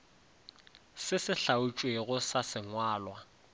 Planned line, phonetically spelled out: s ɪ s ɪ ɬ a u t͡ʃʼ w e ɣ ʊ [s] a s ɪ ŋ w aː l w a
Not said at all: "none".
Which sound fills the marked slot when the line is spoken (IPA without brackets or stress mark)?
s